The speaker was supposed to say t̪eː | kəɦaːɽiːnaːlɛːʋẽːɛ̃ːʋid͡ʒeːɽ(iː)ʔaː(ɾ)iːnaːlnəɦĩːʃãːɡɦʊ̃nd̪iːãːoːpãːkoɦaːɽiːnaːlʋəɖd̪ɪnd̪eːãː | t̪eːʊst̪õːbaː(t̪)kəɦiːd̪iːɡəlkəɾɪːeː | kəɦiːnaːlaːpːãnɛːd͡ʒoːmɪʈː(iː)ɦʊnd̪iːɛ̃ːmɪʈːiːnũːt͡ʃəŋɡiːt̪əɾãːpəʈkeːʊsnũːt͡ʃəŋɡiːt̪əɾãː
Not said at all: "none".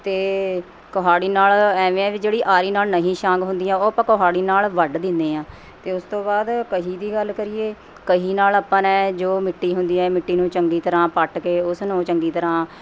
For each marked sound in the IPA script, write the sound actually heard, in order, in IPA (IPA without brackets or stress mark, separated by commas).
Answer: iː, ɾ, d̪, iː